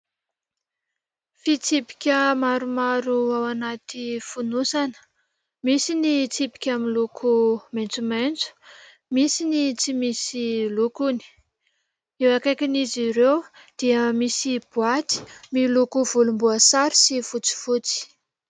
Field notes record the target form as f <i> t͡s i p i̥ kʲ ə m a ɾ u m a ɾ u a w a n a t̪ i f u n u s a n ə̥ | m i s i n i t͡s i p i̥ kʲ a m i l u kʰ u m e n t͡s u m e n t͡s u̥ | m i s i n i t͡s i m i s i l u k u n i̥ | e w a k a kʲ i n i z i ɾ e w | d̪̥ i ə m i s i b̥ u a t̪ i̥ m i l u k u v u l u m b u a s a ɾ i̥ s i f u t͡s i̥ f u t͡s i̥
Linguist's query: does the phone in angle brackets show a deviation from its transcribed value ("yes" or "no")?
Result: no